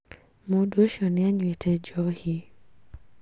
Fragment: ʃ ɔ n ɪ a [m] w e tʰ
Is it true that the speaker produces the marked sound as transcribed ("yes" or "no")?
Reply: no